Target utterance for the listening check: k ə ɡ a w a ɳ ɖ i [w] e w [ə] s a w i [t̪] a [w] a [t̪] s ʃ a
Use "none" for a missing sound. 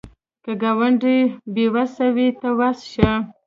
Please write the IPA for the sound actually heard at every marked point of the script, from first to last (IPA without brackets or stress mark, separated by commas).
b, a, t̪, w, none